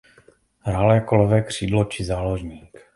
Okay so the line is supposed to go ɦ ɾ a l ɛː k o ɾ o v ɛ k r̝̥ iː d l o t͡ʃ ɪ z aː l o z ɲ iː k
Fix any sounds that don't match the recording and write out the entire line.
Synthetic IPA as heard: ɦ ɾ a l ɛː k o l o v ɛː k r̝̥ iː d l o t͡ʃ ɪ z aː l o ʒ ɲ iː k